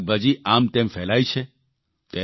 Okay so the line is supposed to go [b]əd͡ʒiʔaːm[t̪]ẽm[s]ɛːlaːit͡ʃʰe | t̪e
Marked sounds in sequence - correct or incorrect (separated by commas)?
correct, correct, incorrect